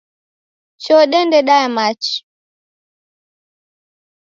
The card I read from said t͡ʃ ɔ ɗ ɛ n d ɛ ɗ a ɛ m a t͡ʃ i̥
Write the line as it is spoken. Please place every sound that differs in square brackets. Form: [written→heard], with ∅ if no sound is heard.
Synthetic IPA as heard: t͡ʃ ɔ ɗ ɛ n d ɛ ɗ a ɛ m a t͡ʃ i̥